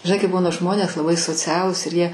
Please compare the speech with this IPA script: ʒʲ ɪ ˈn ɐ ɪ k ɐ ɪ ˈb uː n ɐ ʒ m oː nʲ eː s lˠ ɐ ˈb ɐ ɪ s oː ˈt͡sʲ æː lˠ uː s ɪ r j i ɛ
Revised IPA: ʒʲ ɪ ˈn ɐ ɪ k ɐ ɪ ˈb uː n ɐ ʒ m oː nʲ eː s lˠ ɐ ˈb ɐ ɪ s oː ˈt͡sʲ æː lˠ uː s ɪ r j i ɛ

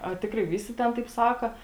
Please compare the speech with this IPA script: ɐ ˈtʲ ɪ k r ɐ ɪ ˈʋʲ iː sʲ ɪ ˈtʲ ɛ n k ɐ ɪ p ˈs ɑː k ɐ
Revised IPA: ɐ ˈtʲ ɪ k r ɐ ɪ ˈʋʲ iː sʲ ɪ ˈtʲ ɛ n t ɐ ɪ p ˈs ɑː k ɐ

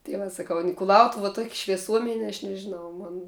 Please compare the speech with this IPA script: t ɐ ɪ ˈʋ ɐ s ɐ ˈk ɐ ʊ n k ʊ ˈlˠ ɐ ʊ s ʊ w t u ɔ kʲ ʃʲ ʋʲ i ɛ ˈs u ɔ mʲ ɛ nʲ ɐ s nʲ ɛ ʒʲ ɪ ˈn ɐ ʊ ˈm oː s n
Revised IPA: t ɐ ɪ ˈʋ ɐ s ɐ ˈk ɐ ʊ n k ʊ ˈlˠ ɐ ʊ t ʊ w t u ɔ kʲ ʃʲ ʋʲ i ɛ ˈs u ɔ mʲ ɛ nʲ ɐ ʃ nʲ ɛ ʒʲ ɪ ˈn ɐ ʊ ˈm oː n

